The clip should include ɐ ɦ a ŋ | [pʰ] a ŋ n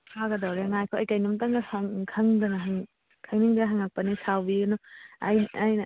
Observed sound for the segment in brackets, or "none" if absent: kʰ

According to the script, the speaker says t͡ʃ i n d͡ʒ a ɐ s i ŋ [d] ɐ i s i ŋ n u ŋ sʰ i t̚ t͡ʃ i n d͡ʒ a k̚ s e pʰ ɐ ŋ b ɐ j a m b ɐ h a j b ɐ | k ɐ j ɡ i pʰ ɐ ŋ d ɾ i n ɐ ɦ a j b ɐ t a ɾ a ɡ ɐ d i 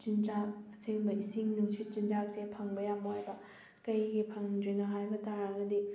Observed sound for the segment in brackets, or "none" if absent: b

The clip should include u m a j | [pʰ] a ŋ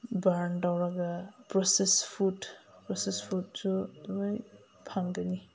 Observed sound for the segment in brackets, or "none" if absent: pʰ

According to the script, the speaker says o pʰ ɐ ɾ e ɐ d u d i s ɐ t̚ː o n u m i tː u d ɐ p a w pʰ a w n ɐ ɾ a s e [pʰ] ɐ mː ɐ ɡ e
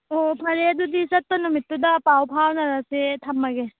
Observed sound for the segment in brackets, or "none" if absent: tʰ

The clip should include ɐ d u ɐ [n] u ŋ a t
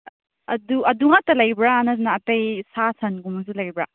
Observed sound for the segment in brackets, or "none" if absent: d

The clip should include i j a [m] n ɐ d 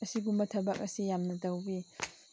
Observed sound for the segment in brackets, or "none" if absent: m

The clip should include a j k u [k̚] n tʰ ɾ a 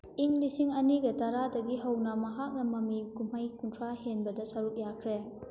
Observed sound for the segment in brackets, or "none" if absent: none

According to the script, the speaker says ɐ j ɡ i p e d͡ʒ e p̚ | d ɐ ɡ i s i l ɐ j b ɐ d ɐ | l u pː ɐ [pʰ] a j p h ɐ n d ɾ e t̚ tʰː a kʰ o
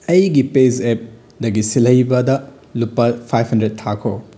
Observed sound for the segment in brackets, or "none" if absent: pʰ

